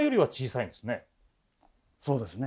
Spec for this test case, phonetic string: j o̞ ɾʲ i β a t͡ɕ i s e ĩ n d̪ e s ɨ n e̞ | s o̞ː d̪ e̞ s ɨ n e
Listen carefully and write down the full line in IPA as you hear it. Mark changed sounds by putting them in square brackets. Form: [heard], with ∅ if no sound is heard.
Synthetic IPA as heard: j o̞ ɾʲ i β a t͡ɕ [iː] s [a] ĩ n d̪ e s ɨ n e̞ | s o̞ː d̪ e̞ s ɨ n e